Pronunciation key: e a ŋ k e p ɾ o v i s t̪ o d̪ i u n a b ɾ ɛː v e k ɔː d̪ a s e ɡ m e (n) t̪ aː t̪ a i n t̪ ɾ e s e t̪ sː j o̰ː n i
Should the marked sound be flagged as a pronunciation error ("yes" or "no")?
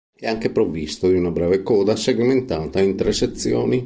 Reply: no